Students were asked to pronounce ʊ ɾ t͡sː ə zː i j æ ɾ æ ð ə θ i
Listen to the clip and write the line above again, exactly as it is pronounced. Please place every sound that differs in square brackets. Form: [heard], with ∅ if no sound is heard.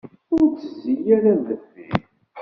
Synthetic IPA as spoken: ʊ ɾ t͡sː ə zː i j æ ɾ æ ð ə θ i